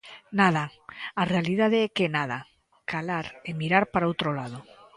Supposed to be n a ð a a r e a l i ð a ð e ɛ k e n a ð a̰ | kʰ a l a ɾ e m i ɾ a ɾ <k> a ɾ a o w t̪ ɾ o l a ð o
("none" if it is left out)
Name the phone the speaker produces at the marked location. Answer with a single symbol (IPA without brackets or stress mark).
p